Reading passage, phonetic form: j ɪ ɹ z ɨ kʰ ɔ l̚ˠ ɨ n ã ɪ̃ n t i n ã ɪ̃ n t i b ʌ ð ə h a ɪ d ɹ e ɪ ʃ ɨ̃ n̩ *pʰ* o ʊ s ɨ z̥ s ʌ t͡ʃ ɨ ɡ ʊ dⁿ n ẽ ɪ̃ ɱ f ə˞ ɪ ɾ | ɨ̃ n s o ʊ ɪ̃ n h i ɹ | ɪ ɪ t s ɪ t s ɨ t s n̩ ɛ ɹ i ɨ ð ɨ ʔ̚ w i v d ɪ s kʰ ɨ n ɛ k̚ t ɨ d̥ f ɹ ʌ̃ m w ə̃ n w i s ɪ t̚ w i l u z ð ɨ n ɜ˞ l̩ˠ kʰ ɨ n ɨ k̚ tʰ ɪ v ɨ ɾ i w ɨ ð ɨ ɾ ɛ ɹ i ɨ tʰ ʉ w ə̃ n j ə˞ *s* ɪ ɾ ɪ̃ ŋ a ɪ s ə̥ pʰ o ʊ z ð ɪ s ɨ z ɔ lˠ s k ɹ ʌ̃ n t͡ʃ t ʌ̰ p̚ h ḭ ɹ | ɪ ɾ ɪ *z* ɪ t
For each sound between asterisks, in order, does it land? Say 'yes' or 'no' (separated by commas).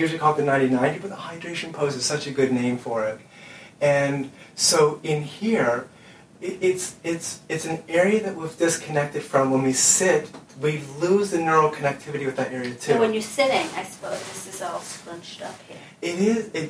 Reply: yes, yes, yes